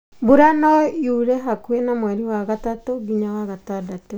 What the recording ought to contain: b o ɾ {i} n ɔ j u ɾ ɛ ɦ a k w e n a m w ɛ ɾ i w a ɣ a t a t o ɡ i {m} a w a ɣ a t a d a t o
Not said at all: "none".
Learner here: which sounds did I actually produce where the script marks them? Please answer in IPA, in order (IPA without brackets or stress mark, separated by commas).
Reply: a, ɲ